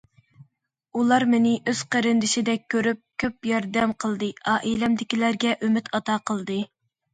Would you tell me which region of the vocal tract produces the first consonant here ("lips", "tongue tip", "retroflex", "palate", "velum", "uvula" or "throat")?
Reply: tongue tip